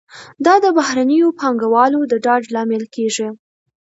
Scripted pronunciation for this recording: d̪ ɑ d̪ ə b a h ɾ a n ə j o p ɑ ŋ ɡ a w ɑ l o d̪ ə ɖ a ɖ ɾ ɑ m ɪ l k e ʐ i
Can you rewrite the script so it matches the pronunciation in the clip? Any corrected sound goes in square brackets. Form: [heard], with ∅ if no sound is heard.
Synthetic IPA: d̪ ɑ d̪ ə b a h ɾ a n ə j o p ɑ ŋ ɡ a w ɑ l o d̪ ə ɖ [ɑ] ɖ [l] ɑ m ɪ l k e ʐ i